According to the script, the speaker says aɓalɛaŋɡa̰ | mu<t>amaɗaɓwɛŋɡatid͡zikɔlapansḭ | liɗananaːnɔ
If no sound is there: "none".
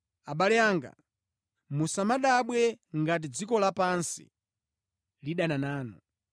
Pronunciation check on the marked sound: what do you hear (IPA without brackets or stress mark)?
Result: s